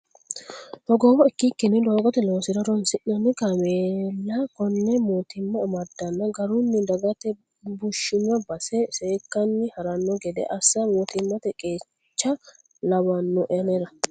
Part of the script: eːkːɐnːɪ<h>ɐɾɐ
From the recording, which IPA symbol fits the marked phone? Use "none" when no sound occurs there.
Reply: h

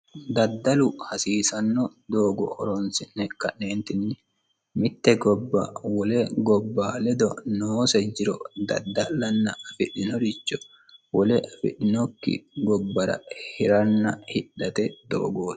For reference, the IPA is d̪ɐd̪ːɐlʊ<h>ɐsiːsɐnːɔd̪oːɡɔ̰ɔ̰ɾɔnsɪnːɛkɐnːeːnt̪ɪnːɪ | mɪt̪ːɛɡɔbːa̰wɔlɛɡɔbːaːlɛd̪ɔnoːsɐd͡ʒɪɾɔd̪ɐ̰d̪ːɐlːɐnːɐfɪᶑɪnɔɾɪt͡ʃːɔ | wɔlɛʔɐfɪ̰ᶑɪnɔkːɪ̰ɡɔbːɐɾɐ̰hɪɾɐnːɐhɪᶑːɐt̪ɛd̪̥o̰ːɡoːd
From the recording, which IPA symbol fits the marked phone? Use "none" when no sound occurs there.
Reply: h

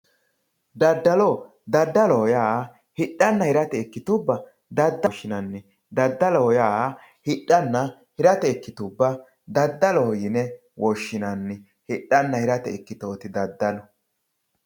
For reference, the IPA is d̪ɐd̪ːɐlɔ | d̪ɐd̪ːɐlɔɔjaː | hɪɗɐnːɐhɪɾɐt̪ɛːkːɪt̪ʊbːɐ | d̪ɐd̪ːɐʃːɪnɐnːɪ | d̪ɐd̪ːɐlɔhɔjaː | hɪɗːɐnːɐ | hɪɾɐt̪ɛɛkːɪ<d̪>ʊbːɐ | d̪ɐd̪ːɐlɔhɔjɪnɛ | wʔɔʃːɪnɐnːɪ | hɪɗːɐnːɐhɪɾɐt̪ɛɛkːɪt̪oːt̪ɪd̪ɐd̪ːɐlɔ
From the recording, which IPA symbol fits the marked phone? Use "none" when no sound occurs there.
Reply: t̪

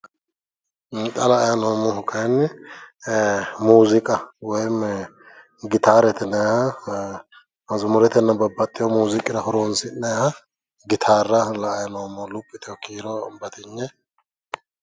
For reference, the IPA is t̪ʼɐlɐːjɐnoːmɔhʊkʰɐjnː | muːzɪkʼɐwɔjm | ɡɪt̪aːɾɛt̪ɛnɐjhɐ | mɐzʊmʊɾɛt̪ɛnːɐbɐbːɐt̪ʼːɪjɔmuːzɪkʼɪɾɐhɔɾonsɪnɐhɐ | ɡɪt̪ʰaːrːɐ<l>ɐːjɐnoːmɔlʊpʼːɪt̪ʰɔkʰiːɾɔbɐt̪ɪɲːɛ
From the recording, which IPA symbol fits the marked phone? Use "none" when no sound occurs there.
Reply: l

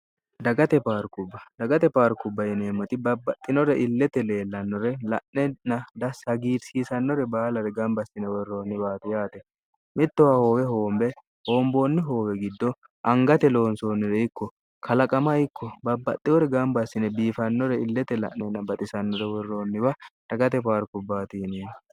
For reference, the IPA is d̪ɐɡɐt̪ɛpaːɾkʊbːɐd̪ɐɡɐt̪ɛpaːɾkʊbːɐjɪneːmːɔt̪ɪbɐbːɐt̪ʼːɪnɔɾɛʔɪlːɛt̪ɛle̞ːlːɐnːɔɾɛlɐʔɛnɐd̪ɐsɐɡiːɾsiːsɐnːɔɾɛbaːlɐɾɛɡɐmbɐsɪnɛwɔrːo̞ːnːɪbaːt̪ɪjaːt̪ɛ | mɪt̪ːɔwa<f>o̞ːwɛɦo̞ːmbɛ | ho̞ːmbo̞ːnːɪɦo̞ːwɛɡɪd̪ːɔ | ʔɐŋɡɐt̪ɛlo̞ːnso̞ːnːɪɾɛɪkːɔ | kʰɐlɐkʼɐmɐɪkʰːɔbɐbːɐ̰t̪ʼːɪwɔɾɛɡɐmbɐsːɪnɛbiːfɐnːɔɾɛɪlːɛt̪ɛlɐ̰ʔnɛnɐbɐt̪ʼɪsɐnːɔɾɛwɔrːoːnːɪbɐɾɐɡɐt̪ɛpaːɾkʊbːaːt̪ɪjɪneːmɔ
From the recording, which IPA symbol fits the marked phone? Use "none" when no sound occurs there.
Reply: h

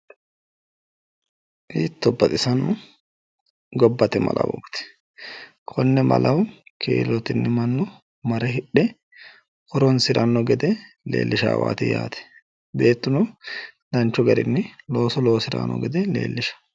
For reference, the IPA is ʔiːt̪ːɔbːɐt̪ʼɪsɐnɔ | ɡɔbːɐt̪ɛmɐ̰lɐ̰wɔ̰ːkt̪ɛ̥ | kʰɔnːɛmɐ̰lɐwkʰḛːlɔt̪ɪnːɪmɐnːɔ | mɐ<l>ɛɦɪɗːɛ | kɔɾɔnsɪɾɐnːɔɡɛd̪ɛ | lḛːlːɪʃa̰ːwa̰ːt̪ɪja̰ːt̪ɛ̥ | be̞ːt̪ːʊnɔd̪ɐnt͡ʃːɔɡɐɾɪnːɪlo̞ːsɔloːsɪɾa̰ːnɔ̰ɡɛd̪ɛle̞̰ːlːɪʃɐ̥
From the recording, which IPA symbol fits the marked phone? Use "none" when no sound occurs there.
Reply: ɾ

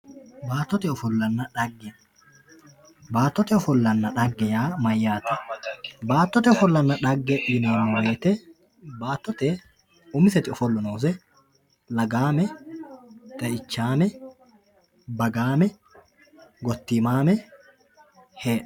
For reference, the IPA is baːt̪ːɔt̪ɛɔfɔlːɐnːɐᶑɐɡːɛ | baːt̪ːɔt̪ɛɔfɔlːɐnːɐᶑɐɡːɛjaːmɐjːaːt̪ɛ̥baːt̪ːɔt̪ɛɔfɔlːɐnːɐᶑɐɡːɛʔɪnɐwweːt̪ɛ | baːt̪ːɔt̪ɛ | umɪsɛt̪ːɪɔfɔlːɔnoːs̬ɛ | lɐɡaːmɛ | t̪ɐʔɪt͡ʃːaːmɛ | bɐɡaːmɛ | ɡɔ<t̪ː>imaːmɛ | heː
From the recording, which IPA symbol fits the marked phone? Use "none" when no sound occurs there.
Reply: t̪ː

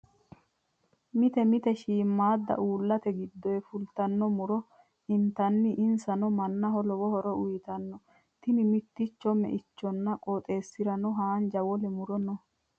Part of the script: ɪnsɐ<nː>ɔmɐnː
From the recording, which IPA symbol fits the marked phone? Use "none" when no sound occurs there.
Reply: n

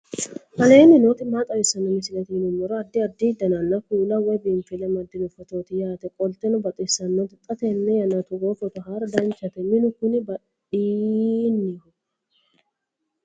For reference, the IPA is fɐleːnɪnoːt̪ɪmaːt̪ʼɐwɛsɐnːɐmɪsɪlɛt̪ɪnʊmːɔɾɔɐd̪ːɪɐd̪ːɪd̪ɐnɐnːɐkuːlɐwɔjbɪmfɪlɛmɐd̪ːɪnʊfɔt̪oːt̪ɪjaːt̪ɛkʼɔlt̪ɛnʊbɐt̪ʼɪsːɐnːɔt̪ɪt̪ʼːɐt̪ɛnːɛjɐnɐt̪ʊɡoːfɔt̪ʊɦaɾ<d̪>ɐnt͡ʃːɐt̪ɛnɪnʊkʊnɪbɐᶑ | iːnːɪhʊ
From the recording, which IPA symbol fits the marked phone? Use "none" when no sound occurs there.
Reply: d̪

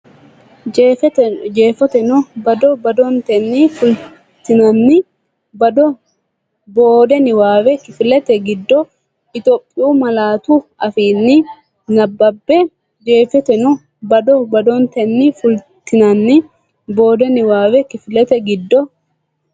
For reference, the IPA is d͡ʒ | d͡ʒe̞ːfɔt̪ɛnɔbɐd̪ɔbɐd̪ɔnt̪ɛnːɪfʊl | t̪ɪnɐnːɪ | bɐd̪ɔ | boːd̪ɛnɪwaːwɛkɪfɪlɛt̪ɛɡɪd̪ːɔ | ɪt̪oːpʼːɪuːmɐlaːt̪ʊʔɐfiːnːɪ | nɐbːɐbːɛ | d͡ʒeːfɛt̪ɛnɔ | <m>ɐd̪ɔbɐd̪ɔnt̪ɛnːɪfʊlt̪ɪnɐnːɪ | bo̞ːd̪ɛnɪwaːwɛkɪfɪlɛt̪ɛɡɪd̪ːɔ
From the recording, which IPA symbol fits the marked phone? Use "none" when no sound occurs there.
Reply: b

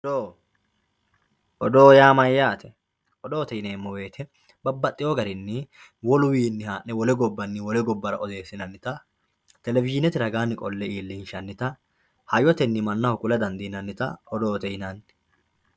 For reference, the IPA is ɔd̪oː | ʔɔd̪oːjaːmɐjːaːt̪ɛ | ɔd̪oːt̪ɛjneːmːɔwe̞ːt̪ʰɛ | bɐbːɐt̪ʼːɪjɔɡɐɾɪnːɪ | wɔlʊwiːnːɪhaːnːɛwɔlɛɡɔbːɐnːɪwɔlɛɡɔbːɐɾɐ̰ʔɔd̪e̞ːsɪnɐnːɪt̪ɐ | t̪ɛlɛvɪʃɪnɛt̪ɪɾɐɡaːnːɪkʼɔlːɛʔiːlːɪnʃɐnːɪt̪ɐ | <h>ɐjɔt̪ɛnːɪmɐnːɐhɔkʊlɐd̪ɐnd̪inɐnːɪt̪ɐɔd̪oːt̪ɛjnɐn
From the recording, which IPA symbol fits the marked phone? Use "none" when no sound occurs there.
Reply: h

